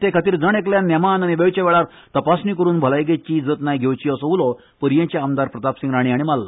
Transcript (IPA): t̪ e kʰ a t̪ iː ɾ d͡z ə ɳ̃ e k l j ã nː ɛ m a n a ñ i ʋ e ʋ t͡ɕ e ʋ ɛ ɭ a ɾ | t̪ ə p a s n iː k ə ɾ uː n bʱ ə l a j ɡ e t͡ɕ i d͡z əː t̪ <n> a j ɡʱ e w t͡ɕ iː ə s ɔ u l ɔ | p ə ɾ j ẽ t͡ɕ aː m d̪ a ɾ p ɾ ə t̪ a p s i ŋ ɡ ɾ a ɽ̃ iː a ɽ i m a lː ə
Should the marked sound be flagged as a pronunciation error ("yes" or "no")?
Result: no